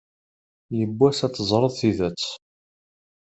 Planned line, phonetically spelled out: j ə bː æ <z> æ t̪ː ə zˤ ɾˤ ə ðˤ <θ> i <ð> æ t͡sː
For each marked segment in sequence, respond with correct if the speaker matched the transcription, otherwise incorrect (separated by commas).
incorrect, correct, correct